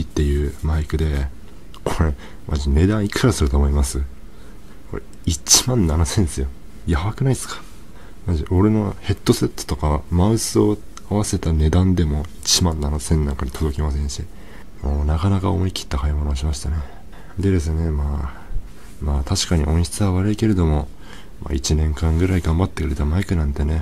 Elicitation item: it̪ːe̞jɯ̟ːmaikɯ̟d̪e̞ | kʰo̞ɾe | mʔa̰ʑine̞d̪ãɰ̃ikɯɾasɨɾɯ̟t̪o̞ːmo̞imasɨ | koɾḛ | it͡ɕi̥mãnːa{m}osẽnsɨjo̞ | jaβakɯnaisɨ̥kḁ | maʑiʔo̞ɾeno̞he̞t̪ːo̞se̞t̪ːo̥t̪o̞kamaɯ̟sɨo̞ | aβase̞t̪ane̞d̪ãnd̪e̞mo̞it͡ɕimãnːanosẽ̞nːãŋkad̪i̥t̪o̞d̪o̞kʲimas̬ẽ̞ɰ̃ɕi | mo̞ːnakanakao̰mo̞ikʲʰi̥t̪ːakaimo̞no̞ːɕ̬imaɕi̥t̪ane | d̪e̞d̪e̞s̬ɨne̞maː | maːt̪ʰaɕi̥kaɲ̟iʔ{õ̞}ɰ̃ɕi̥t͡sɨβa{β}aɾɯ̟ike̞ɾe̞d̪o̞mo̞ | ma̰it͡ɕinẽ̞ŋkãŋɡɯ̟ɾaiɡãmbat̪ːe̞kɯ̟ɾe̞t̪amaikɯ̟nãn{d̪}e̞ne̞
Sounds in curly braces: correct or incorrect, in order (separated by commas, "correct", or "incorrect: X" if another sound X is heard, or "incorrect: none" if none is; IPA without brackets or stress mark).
incorrect: n, correct, correct, incorrect: t̪